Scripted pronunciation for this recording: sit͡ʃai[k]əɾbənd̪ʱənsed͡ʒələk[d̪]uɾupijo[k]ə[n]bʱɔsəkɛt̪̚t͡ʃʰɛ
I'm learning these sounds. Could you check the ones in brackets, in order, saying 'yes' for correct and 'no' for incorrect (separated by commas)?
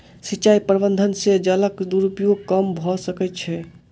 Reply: no, yes, yes, no